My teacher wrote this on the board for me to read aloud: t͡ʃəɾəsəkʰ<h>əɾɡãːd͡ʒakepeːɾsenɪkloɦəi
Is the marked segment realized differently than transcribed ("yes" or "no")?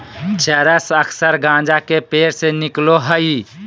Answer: yes